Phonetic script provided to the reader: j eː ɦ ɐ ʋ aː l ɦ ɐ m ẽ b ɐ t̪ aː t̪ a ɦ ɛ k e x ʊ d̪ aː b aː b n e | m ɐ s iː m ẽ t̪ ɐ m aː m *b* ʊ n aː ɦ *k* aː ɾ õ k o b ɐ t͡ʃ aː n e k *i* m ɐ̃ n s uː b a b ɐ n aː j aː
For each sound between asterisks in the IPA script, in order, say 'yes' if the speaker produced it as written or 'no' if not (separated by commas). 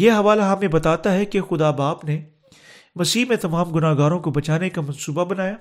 no, no, no